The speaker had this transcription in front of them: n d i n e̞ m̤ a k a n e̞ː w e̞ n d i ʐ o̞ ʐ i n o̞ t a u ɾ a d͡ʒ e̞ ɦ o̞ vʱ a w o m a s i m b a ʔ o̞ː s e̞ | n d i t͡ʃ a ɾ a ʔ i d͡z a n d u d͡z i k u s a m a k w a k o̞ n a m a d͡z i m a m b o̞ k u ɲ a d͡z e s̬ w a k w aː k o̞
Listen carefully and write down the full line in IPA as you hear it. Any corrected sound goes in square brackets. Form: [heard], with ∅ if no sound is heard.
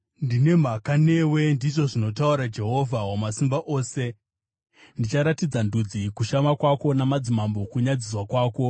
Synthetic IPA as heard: n d i n e̞ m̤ a k a n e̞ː w e̞ n d i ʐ o̞ ʐ i n o̞ t a u ɾ a d͡ʒ e̞ ɦ o̞ vʱ a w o m a s i m b a ʔ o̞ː s e̞ | n d i t͡ʃ a ɾ a [t] i d͡z a n d u d͡z i k u [ʃ] a m a k w a k o̞ n a m a d͡z i m a m b o̞ k u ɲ a d͡z [i] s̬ w a k w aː k o̞

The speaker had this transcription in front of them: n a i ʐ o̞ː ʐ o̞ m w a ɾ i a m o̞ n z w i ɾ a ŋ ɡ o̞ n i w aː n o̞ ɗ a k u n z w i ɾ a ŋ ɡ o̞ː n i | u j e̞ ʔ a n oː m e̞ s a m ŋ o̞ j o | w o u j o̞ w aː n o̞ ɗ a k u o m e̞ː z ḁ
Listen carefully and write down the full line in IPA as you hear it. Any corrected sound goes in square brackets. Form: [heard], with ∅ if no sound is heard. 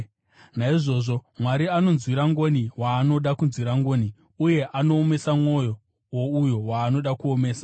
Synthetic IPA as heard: n a i ʐ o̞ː ʐ o̞ m w a ɾ i a [n] o̞ n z w i ɾ a ŋ ɡ o̞ n i w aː n o̞ ɗ a k u n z w i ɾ a ŋ ɡ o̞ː n i | u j e̞ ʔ a n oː m e̞ s a m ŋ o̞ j o | w o u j o̞ w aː n o̞ ɗ a k u o m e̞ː [s] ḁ

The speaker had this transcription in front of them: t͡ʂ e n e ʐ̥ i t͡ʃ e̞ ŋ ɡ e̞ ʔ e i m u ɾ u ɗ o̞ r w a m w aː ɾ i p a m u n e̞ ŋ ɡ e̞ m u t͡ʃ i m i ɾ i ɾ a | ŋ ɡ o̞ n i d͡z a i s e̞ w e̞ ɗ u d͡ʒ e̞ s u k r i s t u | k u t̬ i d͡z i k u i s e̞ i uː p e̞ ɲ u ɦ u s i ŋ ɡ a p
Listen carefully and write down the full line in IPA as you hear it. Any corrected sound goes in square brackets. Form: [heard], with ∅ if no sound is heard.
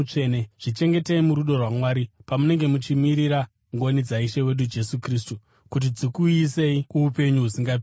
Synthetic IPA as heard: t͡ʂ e n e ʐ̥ i t͡ʃ e̞ ŋ ɡ e̞ [t] e i m u ɾ u ɗ o̞ r w a m w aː ɾ i p a m u n e̞ ŋ ɡ e̞ m u t͡ʃ i m i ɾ i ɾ a | ŋ ɡ o̞ n i d͡z a i [ʃ] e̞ w e̞ ɗ u d͡ʒ e̞ s u k r i s t u | k u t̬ i d͡z i k u i s e̞ i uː p e̞ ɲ u ɦ u s i ŋ ɡ a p

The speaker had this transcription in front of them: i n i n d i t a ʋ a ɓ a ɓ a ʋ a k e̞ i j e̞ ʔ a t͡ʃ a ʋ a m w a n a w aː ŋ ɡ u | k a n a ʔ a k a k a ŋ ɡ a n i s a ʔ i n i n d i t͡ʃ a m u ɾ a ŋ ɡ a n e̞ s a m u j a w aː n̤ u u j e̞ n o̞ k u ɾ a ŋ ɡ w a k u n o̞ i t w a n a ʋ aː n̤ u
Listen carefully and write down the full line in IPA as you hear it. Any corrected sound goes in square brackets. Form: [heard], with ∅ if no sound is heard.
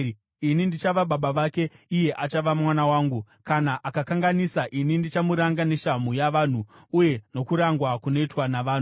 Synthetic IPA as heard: i n i n d i [t͡ʃ] a ʋ a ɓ a ɓ a ʋ a k e̞ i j e̞ ʔ a t͡ʃ a ʋ a m w a n a w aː ŋ ɡ u | k a n a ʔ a k a k a ŋ ɡ a n i s a ʔ i n i n d i t͡ʃ a m u ɾ a ŋ ɡ a n e̞ [ʃ] a m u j a [ʋ] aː n̤ u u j e̞ n o̞ k u ɾ a ŋ ɡ w a k u n o̞ i t w a n a ʋ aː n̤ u

